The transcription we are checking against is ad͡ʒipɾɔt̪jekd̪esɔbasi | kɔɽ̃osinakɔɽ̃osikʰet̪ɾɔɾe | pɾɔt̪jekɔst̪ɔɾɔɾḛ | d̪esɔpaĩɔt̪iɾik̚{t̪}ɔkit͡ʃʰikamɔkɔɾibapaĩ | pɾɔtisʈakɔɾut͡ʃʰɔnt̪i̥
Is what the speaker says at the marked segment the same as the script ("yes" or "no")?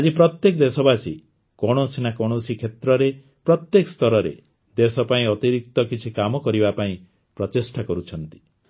yes